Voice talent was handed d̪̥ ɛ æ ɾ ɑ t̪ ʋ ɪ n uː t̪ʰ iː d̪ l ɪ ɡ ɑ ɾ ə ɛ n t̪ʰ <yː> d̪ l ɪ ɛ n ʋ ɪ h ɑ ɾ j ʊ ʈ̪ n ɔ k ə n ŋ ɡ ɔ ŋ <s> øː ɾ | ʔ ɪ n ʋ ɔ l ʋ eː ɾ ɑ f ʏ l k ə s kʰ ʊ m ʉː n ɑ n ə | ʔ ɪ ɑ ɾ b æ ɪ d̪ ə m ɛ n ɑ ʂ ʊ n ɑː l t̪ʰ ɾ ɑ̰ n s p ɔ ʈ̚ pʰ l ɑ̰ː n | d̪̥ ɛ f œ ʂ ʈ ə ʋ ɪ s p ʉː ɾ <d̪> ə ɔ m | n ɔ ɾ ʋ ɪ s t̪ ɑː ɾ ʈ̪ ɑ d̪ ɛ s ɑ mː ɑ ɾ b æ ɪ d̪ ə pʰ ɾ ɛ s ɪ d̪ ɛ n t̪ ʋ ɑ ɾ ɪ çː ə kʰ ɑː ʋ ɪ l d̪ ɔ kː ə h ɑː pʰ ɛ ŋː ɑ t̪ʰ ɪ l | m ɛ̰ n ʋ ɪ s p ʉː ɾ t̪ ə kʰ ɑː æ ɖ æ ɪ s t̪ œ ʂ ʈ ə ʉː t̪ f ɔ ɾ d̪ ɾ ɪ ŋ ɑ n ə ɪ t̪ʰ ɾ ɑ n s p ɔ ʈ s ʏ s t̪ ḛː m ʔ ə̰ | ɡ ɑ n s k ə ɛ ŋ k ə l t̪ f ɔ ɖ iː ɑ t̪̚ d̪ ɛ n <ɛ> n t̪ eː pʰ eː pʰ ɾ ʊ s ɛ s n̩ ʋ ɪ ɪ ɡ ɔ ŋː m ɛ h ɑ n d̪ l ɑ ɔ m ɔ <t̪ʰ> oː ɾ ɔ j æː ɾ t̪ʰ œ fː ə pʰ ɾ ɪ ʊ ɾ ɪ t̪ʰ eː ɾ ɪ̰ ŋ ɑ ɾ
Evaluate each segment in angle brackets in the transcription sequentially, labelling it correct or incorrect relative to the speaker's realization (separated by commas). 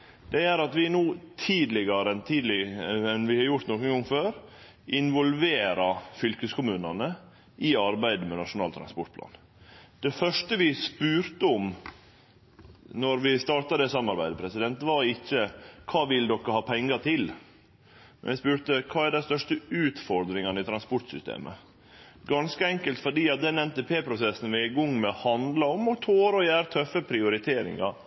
incorrect, incorrect, incorrect, correct, correct